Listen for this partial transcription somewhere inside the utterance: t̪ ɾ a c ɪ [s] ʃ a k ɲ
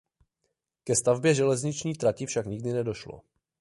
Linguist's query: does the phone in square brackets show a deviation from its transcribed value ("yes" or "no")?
yes